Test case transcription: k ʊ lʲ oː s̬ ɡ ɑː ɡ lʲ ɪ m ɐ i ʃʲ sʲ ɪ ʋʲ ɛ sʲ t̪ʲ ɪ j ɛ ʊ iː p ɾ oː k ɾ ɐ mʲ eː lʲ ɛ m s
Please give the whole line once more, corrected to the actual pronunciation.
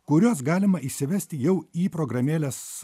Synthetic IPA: k ʊ ɾʲ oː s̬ ɡ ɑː lʲ ɪ m ɐ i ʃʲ sʲ ɪ ʋʲ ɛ sʲ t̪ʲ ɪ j ɛ ʊ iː p ɾ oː ɡ ɾ ɐ mʲ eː lʲ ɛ s